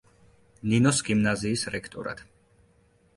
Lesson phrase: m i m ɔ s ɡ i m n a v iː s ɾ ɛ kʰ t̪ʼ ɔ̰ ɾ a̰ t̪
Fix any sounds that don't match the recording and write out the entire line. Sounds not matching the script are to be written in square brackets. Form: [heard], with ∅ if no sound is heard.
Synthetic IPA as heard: [n] i [n] ɔ s ɡ i m n a [z] iː s ɾ ɛ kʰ t̪ʼ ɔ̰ ɾ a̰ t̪